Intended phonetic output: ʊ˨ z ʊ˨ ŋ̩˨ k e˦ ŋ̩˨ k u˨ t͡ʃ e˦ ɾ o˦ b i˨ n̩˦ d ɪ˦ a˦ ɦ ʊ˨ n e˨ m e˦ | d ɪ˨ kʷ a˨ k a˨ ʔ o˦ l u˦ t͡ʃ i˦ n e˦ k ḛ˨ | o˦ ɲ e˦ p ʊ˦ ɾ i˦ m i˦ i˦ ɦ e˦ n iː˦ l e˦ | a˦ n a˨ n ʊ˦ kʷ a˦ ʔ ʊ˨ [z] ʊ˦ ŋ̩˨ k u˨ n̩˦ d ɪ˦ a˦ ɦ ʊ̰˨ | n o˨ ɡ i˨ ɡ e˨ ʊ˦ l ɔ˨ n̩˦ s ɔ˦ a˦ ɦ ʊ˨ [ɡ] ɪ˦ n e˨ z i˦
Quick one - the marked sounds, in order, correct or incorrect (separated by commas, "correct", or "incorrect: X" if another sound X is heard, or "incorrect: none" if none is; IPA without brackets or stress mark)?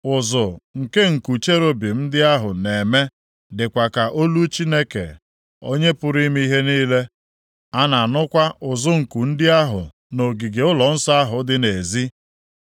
correct, incorrect: d